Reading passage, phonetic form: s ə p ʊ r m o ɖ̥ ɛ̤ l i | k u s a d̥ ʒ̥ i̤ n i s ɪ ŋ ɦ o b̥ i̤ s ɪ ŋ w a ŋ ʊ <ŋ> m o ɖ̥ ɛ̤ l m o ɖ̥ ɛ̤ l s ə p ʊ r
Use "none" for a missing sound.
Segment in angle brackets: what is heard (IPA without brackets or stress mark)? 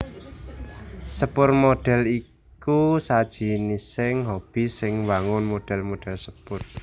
n